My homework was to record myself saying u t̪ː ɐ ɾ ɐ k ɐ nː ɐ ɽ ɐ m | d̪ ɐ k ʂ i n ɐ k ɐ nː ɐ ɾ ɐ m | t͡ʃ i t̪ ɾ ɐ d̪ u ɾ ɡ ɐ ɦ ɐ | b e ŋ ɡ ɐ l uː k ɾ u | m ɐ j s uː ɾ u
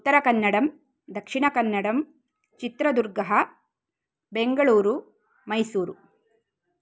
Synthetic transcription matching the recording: u t̪ː ɐ ɾ ɐ k ɐ nː ɐ ɽ ɐ m | d̪ ɐ k ʂ i ɳ ɐ k ɐ nː ɐ ɽ ɐ m | t͡ʃ i t̪ ɾ ɐ d̪ u ɾ ɡ ɐ ɦ ɐ | b e ŋ ɡ ɐ ɭ uː ɾ u | m ɐ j s uː ɾ u

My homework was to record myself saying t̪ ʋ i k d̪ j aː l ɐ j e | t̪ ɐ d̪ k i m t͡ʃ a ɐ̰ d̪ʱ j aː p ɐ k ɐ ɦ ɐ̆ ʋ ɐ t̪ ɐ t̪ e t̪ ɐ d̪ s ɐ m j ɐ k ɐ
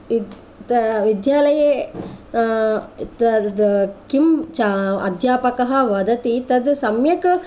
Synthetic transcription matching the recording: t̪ ʋ i d̪ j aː l ɐ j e | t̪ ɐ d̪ k i m t͡ʃ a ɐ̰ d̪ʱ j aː p ɐ k ɐ ɦ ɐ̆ ʋ ɐ d̪ ɐ t̪ i t̪ ɐ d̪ s ɐ m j ɐ k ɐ

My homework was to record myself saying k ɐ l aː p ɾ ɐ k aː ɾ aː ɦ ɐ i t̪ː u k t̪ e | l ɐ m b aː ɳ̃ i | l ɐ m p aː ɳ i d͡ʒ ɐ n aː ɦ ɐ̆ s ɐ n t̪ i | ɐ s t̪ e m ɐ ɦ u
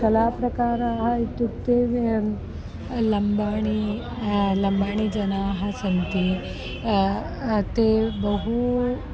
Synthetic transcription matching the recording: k ɐ l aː p ɾ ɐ k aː ɾ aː ɦ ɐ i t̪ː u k t̪ e | l ɐ m b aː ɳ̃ i | l ɐ m b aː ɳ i d͡ʒ ɐ n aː ɦ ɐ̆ s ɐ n t̪ i | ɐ t̪ e b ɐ ɦ u

